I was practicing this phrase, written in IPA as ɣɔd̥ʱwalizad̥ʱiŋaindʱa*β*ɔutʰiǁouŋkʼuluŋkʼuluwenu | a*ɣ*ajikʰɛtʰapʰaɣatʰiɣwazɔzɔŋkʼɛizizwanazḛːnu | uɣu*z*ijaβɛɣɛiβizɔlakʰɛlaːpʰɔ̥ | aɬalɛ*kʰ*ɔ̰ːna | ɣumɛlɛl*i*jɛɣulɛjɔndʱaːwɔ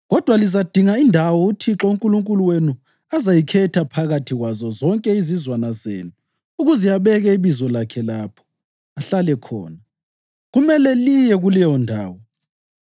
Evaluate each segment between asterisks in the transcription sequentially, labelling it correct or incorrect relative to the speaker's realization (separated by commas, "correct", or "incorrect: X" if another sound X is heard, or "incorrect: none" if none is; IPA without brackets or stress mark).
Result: incorrect: w, incorrect: z, correct, correct, correct